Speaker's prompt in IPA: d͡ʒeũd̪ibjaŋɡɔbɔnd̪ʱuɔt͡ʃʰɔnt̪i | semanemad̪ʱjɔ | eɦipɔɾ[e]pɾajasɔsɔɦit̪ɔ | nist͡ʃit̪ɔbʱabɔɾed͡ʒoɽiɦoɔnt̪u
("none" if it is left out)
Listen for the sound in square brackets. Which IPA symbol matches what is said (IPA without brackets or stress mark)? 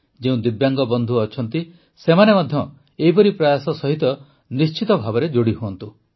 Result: i